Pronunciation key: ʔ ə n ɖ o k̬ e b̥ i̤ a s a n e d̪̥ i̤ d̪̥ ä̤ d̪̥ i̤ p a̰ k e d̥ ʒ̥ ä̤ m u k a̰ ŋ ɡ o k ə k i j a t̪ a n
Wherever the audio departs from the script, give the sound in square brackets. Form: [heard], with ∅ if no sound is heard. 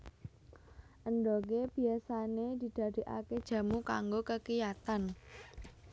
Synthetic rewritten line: ʔ ə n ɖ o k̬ e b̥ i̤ a s a n e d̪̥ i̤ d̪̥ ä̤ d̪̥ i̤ [ʔ] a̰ k e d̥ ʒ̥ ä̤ m u k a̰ ŋ ɡ o k ə k i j a t̪ a n